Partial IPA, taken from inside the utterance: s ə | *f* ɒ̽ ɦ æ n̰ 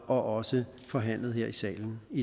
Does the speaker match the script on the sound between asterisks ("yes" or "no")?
yes